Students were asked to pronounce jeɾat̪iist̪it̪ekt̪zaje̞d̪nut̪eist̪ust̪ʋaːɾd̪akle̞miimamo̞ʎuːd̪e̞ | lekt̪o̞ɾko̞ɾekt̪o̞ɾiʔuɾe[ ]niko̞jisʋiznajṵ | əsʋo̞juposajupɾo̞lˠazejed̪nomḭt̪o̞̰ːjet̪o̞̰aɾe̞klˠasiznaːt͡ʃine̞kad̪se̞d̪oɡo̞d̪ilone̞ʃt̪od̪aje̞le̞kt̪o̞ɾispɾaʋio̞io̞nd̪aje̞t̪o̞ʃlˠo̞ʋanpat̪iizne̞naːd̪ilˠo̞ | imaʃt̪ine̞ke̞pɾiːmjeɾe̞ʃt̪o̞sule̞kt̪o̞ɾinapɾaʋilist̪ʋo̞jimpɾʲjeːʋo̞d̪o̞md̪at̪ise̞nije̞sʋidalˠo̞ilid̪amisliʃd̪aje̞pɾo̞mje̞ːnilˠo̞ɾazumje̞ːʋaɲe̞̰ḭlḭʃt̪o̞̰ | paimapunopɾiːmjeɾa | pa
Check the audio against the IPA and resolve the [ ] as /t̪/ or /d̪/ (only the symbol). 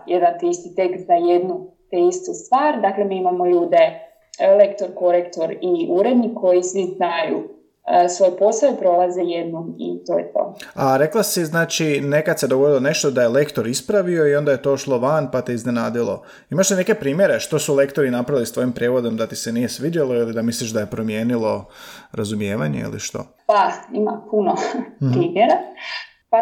d̪